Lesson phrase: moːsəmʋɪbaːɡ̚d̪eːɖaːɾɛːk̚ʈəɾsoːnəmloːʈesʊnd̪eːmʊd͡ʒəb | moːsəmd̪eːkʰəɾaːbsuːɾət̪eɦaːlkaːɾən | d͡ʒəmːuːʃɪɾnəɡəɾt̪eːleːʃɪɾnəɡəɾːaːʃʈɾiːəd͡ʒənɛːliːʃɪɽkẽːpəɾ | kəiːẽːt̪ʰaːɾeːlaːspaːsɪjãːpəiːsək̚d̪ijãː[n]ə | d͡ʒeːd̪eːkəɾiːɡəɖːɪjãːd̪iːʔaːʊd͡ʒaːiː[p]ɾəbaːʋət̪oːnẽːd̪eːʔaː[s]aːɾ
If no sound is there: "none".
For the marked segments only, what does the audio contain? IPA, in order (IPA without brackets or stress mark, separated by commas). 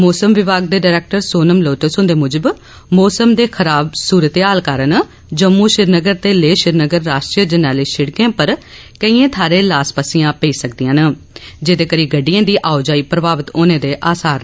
n, p, s